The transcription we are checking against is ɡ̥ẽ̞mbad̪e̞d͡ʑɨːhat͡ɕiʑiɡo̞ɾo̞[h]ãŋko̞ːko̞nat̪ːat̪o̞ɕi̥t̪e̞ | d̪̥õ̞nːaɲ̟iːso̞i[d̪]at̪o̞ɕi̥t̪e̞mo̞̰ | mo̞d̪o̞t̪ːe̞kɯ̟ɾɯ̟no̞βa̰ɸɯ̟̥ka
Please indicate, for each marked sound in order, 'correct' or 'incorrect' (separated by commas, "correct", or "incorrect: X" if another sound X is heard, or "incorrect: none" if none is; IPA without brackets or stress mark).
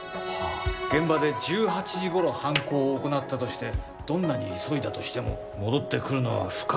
correct, correct